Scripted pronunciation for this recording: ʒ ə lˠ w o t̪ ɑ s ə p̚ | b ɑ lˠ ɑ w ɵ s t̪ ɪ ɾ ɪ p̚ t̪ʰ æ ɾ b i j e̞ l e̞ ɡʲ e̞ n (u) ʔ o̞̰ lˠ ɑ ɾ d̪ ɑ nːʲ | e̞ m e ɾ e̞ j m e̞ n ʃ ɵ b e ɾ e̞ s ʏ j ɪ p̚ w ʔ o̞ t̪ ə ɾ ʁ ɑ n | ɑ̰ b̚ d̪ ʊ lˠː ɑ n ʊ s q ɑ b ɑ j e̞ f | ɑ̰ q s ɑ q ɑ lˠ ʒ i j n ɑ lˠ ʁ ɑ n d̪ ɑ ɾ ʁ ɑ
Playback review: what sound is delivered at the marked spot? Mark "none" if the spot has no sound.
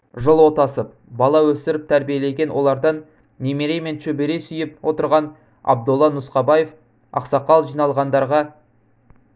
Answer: w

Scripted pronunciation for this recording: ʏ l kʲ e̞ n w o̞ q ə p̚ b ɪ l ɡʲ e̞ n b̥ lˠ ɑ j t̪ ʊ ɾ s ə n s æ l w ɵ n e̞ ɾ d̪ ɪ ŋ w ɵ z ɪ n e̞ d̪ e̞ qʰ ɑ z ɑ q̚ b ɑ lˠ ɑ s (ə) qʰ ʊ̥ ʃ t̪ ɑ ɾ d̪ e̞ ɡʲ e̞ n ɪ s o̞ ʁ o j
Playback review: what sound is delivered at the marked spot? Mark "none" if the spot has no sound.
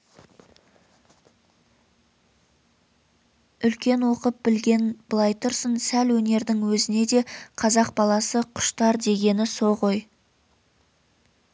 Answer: ə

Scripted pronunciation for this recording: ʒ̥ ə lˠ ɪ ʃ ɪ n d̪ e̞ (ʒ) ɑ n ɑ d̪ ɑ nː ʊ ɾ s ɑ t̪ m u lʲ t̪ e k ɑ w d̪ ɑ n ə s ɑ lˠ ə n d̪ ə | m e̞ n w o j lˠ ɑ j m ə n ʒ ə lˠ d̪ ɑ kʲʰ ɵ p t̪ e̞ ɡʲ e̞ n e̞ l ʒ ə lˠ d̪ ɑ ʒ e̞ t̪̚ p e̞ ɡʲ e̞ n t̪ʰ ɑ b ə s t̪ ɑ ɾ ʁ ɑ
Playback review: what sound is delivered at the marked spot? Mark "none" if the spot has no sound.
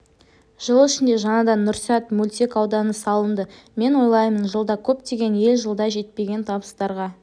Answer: ʒ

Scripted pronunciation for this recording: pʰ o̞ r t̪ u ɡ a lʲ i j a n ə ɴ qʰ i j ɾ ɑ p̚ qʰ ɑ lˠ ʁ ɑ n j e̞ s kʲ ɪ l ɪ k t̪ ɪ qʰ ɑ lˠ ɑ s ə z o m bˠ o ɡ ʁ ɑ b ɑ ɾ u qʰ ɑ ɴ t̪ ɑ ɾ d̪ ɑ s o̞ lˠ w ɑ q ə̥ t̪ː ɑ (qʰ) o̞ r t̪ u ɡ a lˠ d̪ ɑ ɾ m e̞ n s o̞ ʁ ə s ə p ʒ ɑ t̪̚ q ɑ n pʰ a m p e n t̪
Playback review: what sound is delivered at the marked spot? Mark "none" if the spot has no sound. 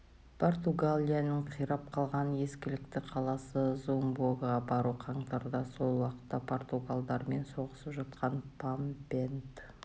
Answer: pʰ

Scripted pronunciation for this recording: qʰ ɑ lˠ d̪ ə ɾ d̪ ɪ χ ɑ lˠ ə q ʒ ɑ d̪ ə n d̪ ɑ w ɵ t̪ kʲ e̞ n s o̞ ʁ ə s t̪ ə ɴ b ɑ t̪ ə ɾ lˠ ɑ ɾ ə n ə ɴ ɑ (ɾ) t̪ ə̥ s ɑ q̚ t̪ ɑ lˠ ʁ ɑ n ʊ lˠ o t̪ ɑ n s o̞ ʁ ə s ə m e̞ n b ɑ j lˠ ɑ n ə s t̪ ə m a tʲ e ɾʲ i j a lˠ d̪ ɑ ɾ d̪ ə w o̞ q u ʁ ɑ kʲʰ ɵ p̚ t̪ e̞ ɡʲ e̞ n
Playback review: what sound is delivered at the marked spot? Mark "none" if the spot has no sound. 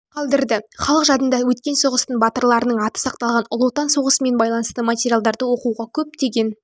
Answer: none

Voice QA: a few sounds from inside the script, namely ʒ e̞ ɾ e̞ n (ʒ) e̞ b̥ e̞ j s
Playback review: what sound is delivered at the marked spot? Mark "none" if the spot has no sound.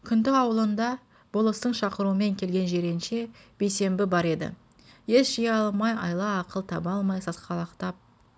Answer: ʃ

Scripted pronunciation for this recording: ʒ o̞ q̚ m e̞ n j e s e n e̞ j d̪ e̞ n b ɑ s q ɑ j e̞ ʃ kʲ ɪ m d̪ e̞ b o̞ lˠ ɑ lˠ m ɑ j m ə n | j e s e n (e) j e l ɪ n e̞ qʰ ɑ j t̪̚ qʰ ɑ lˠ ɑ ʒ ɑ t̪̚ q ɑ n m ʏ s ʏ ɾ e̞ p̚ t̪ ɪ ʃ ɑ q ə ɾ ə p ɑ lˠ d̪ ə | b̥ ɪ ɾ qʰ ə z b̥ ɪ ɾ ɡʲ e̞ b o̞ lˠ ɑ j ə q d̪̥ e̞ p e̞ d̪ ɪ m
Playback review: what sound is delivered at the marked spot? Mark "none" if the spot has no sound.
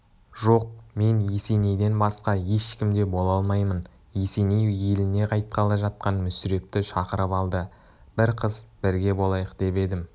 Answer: e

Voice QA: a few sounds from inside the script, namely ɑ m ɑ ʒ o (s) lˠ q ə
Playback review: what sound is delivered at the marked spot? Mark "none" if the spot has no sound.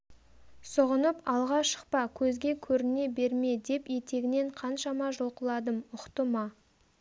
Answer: none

